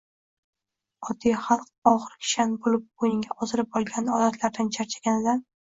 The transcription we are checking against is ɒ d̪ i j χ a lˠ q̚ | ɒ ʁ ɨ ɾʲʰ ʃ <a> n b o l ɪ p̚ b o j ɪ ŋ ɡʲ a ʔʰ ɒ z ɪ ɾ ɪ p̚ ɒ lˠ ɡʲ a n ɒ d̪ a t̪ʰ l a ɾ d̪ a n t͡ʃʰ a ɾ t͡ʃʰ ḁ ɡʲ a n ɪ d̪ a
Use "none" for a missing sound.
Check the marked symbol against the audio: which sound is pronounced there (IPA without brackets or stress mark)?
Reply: a